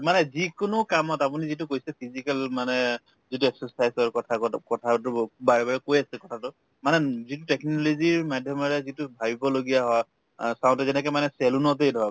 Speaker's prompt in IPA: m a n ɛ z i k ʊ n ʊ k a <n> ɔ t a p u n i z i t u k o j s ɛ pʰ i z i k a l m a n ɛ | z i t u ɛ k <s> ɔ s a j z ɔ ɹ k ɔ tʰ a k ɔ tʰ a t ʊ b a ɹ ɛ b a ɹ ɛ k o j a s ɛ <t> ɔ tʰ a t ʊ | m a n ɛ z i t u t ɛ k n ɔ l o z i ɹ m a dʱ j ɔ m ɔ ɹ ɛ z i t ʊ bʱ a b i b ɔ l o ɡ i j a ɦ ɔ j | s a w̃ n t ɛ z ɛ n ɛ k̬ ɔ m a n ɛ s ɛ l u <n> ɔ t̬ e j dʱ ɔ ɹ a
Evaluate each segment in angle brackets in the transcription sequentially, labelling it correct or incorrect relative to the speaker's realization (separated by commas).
incorrect, correct, incorrect, correct